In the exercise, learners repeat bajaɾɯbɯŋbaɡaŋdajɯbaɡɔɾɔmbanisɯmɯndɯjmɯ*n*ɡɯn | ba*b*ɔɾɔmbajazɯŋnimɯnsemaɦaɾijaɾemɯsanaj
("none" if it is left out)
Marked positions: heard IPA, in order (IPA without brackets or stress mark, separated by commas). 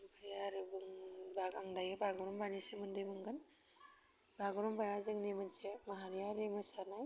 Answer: ŋ, ɡ